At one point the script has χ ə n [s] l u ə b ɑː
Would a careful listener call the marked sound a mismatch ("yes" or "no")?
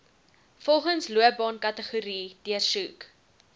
no